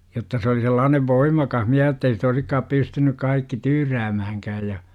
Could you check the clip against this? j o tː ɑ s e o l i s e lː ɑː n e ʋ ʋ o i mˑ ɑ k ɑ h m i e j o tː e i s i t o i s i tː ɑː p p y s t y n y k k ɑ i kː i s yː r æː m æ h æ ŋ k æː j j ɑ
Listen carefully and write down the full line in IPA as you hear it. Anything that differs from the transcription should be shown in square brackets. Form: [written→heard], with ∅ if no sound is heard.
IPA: j o tː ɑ s e o l i s e lː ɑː n e ʋ ʋ o i mˑ ɑ k ɑ h m i [e→æ] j o tː e i s i t o i s i [tː→kː] ɑː p p y s t y n y k k ɑ i kː i [s→t] yː r æː m æ h æ ŋ k æː j j ɑ